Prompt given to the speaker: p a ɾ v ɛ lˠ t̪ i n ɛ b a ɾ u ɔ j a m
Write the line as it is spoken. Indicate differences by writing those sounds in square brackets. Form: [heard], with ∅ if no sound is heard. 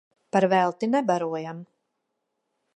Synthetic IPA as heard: p a ɾ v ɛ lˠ t̪ i n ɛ b a ɾ u ɔ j a m